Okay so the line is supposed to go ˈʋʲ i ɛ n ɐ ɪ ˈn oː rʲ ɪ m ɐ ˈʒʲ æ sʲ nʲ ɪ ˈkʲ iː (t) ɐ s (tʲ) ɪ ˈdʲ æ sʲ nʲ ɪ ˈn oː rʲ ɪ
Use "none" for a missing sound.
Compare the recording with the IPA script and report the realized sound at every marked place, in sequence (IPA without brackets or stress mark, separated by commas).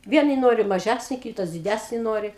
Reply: t, dʲ